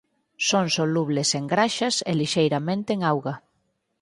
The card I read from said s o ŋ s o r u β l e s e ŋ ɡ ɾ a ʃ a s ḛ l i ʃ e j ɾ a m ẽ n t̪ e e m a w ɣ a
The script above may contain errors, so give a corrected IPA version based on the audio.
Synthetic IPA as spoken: s o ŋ s o l u β l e s e ŋ ɡ ɾ a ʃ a s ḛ l i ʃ e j ɾ a m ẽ n t̪ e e ŋ a w ɣ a

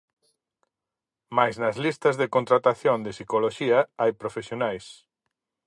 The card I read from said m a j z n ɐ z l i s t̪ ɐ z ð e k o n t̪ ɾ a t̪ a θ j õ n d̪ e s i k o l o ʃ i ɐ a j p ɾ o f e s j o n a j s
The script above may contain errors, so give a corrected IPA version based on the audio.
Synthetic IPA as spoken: m a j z n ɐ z l i s t̪ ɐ z ð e k o n t̪ ɾ a t̪ a θ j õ n d̪ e s i k o l o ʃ i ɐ a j p ɾ o f e s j o n a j s

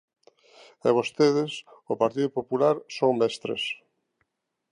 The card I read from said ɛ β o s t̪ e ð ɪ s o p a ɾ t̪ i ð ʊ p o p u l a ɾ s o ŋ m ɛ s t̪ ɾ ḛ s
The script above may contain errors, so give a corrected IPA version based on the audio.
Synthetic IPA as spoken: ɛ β o s t̪ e ð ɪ s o p a ɾ t̪ i ð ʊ p o p u l a ɾ s o ŋ m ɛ s t̪ ɾ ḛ s

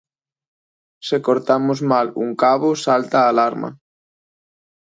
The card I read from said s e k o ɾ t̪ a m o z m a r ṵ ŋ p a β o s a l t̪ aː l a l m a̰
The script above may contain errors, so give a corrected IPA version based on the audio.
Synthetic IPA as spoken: s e k o ɾ t̪ a m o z m a l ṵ ŋ k a β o s a l t̪ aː l a ɾ m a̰

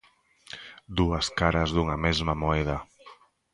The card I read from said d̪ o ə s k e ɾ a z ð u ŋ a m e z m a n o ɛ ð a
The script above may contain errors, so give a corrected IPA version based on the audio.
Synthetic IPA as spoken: d̪ u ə s k a ɾ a z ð u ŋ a m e z m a m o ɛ ð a

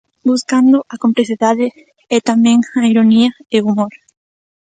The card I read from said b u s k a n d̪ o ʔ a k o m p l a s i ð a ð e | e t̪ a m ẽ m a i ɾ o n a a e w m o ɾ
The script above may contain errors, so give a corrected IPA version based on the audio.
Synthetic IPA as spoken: b u s k a n d̪ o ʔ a k o m p l e s i ð a ð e | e t̪ a m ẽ ŋ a i ɾ o n i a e u m o ɾ

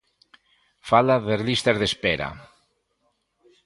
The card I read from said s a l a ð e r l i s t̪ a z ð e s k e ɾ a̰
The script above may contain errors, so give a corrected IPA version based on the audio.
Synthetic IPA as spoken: f a l a ð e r l i s t̪ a z ð e s p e ɾ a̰

